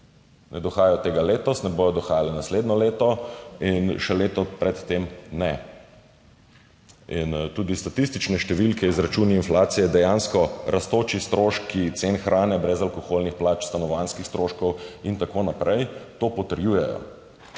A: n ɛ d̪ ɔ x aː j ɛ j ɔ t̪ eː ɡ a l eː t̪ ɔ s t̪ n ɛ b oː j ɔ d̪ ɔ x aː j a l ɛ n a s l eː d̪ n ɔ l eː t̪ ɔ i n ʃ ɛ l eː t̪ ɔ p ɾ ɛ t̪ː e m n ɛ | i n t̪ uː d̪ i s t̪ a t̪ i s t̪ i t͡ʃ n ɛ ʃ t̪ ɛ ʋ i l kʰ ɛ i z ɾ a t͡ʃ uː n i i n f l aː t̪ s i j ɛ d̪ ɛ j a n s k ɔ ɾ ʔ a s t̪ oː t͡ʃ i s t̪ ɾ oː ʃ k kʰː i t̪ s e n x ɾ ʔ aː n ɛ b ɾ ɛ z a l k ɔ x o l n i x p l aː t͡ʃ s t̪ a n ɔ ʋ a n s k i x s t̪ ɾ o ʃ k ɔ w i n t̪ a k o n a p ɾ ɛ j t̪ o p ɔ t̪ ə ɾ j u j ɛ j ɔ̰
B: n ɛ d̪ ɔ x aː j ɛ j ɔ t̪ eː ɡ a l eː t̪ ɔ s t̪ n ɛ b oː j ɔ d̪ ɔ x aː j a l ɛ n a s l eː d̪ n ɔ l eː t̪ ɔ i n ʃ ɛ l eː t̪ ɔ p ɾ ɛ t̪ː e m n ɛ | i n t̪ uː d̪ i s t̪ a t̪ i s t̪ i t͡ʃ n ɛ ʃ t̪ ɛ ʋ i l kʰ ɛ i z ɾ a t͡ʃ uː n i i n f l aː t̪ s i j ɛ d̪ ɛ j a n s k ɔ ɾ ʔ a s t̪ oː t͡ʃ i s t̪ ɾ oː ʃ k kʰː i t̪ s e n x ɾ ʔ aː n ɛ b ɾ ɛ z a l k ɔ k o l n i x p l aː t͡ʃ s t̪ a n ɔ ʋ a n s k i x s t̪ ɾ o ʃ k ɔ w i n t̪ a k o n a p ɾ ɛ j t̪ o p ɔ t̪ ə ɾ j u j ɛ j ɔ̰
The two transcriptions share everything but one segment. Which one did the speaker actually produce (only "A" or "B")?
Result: A